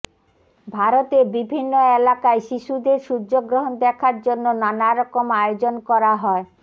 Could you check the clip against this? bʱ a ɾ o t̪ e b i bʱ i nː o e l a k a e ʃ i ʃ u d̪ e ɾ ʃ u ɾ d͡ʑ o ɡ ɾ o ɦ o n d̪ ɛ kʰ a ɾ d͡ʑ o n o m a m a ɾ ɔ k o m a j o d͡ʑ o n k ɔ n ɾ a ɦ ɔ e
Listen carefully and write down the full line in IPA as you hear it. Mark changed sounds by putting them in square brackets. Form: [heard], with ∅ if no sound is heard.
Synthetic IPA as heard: bʱ a ɾ o t̪ e b i bʱ i nː o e l a k a e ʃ i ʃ u d̪ e ɾ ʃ u ɾ d͡ʑ o ɡ ɾ o ɦ o n d̪ ɛ kʰ a ɾ d͡ʑ o [nː] o [n] a [n] a ɾ ɔ k o m a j o d͡ʑ o n k ɔ [∅] ɾ a ɦ ɔ e